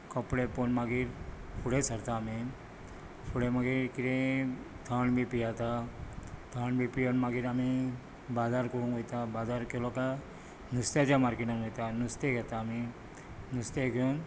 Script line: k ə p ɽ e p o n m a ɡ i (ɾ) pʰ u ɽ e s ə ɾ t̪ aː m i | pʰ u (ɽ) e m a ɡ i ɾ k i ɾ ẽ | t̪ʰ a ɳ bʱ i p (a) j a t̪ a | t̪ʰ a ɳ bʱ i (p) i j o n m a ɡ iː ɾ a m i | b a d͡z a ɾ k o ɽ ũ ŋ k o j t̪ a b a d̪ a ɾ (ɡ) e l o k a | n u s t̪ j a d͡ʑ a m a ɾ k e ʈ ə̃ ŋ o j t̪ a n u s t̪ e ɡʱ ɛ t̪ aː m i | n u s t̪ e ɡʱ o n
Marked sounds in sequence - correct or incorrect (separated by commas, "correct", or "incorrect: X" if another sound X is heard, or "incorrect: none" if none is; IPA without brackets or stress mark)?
correct, correct, incorrect: i, correct, incorrect: k